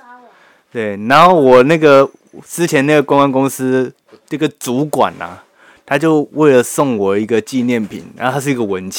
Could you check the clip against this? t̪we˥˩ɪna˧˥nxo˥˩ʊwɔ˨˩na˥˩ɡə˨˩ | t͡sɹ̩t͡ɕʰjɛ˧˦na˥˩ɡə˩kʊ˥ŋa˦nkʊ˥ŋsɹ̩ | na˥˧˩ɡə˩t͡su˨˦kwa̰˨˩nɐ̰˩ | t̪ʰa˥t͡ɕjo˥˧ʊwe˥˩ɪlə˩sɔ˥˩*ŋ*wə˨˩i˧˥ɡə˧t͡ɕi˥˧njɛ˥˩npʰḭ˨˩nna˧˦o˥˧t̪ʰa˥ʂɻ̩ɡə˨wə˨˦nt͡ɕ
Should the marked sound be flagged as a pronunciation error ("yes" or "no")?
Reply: no